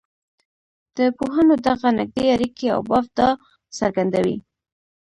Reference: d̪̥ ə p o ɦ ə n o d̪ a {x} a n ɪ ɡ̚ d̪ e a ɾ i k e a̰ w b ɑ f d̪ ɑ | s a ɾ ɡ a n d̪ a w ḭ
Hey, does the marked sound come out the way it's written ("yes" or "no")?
no